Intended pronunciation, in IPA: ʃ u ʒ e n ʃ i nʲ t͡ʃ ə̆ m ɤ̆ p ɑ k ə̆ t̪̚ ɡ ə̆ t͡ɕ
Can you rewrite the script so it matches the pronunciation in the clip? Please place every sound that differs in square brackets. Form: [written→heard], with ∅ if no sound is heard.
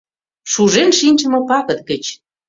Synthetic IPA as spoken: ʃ u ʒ e n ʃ i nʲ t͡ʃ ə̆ m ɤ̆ p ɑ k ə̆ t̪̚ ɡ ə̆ t͡ɕ